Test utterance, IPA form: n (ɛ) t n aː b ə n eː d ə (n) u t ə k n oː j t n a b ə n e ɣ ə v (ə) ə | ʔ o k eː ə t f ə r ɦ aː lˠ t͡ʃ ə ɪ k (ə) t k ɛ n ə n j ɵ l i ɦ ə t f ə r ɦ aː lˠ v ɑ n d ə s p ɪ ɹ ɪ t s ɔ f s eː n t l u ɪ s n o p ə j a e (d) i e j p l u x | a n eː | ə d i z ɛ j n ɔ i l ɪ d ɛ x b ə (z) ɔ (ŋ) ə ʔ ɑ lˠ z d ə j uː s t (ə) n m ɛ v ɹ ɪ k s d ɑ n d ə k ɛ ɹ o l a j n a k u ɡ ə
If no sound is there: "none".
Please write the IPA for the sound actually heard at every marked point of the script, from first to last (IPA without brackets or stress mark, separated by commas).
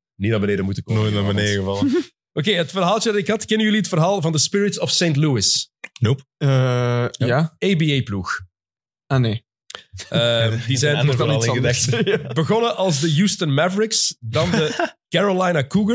i, m, ɑ, ɑ, b, ɣ, n, ə